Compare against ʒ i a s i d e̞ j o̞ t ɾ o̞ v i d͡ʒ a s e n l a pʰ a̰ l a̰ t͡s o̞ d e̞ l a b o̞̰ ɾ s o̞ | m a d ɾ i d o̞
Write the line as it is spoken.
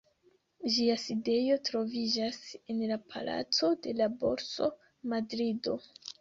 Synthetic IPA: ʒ i a s i d e̞ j o̞ t ɾ o̞ v i d͡ʒ a s e n l a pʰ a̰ l a̰ t͡s o̞ d e̞ l a b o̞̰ ɾ s o̞ | m a d ɾ i d o̞